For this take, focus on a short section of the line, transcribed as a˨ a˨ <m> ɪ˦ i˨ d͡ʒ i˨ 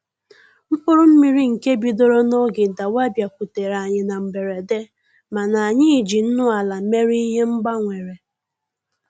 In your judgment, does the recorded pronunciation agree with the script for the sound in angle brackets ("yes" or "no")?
no